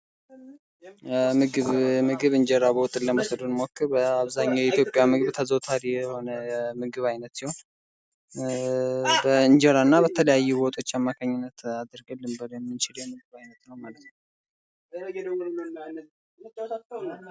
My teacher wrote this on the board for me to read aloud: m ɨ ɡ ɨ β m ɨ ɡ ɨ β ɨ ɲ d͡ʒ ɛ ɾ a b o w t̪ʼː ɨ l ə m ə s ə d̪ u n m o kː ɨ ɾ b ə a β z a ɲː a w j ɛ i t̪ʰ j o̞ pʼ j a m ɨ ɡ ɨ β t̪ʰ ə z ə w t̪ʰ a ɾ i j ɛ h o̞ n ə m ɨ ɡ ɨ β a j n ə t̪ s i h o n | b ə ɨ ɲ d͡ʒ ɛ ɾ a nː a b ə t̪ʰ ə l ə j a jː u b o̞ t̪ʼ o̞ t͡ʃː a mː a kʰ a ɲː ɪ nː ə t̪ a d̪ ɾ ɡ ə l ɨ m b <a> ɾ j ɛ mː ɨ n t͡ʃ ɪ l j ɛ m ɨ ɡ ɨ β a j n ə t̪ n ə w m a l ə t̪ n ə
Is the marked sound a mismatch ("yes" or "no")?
yes